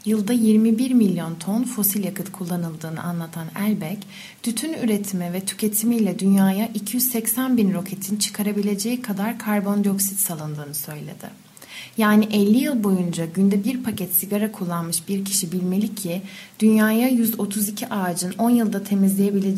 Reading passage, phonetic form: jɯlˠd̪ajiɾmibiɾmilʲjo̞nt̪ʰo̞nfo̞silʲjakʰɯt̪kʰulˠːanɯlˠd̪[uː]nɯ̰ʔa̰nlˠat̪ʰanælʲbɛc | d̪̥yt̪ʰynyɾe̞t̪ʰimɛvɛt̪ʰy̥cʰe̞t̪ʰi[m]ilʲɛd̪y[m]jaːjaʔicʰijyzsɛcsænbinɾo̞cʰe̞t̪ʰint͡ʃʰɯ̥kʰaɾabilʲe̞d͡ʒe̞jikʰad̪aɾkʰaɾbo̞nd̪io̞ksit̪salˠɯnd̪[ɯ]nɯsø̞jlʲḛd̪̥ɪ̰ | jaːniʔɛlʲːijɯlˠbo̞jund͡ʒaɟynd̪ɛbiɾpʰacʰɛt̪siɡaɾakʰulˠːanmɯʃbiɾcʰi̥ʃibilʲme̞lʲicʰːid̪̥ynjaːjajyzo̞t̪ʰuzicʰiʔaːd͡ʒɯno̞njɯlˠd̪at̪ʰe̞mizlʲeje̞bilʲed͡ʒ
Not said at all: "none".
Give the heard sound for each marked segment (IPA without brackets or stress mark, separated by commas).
ɯː, m, n, ɯː